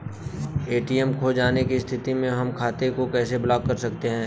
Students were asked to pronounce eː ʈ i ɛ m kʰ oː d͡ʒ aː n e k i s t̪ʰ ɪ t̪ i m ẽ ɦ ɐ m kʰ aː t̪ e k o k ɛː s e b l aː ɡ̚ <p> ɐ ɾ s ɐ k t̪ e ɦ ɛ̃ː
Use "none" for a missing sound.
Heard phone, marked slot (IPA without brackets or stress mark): k